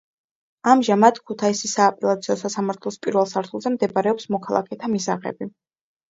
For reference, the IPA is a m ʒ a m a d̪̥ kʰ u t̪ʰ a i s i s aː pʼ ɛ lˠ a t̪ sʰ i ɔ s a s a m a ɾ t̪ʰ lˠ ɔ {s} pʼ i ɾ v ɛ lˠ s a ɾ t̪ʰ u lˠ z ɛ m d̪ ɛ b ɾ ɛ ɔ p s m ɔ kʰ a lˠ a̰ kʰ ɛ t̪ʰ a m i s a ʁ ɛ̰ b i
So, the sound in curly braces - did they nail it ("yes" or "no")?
yes